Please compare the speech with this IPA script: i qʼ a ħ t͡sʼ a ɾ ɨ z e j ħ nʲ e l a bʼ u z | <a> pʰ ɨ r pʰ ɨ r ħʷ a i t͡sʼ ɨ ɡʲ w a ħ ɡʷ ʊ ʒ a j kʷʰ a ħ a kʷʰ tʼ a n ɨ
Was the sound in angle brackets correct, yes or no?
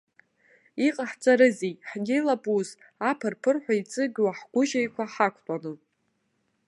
yes